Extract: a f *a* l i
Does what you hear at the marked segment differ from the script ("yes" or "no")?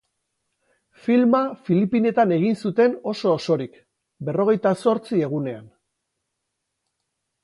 yes